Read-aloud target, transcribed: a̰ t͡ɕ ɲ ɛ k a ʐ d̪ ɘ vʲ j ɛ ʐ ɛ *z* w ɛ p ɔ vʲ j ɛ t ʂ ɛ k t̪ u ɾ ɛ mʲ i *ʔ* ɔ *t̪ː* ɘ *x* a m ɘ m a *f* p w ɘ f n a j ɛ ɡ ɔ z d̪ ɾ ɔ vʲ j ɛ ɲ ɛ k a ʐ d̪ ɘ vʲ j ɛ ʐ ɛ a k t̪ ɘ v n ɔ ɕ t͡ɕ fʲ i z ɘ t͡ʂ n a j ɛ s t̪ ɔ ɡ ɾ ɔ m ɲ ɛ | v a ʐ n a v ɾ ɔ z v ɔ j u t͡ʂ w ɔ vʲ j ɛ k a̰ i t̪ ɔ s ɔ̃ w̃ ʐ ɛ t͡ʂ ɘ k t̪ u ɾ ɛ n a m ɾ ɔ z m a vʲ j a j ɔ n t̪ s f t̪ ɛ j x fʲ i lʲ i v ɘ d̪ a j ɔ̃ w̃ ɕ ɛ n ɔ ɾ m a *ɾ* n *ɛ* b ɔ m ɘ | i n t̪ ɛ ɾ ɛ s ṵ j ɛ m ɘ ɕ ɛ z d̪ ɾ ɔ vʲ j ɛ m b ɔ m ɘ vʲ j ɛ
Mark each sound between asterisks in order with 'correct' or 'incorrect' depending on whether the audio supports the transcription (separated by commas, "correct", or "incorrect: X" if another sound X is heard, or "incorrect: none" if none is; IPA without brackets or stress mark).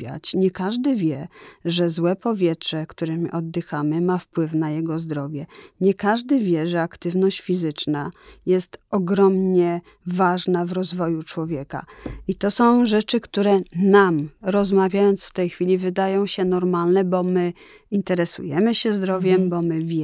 correct, correct, incorrect: d̪ː, correct, correct, incorrect: l, correct